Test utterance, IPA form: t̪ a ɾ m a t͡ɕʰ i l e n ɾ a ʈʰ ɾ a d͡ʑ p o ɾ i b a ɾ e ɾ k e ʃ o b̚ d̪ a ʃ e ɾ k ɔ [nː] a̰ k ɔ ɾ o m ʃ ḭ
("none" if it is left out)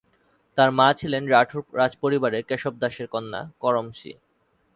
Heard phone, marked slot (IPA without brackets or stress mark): nː